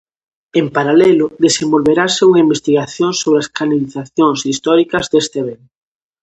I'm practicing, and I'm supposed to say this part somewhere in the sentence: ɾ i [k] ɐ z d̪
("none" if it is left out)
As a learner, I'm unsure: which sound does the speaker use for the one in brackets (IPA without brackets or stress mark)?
k